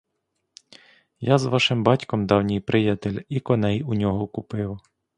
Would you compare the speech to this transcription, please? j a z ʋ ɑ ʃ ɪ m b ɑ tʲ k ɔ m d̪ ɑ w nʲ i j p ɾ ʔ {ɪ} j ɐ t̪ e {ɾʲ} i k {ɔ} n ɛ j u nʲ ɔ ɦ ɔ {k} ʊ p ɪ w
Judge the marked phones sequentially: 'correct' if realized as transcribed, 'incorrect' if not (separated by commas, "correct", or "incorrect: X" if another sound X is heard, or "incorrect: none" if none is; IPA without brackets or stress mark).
correct, incorrect: lʲ, correct, correct